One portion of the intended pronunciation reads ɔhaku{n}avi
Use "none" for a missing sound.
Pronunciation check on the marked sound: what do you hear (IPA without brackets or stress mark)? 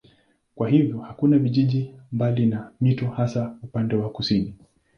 n